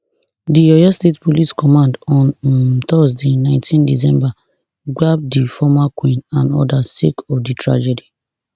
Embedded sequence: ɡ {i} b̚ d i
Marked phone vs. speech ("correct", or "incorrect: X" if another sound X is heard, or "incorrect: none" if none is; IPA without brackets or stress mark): incorrect: a